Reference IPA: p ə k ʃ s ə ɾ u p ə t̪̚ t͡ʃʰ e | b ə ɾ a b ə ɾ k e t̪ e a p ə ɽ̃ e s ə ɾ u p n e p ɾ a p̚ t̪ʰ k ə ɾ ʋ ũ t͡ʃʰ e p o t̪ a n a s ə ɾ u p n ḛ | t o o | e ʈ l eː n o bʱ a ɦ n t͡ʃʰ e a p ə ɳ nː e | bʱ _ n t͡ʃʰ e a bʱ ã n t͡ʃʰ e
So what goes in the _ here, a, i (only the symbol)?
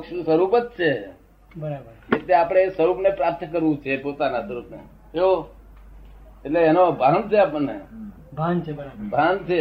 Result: a